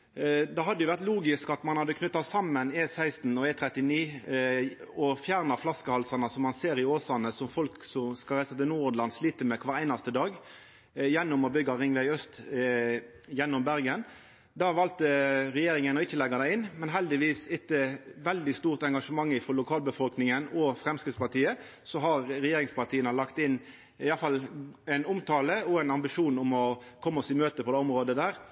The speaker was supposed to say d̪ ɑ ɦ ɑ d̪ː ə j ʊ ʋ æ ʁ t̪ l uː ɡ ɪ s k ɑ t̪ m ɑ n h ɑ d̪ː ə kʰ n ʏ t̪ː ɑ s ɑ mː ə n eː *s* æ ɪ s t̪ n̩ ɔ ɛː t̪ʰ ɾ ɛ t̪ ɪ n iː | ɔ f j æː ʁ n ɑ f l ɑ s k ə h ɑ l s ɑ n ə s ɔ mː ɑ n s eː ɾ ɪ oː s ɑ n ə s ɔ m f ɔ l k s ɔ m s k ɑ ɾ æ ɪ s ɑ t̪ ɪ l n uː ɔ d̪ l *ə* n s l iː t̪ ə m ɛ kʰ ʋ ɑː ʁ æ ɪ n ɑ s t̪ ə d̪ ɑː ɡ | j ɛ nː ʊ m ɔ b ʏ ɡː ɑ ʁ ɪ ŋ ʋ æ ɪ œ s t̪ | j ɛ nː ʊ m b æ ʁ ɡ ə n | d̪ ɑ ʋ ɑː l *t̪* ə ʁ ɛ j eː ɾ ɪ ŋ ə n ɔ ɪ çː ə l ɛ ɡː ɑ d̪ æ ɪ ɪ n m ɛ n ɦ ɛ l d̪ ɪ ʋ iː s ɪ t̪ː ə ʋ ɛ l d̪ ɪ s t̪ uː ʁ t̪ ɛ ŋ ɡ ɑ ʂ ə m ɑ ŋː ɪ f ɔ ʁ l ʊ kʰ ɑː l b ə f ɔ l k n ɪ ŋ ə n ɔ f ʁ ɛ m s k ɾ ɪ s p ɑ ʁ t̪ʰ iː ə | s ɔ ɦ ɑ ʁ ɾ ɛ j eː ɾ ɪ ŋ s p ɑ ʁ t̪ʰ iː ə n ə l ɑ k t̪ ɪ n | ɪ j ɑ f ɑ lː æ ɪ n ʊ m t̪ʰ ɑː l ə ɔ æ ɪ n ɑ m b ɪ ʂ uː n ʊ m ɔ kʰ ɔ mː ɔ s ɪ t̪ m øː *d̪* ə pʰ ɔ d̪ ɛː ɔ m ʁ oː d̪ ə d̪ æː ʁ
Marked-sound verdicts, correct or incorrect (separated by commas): correct, incorrect, correct, incorrect